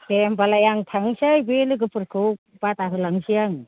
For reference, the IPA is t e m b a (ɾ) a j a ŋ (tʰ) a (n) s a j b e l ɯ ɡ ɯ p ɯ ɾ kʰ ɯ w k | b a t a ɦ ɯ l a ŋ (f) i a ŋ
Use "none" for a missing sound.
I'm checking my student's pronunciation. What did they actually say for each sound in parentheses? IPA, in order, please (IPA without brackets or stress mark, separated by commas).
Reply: l, tʰ, ŋ, s